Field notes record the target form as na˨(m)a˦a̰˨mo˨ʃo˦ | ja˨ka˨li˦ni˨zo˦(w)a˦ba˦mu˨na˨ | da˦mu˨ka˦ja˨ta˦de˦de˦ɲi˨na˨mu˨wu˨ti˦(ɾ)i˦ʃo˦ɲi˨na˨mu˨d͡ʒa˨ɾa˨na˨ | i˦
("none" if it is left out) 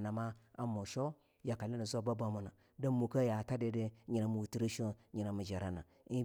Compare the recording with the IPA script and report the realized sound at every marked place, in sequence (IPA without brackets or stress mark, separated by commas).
m, b, ɾ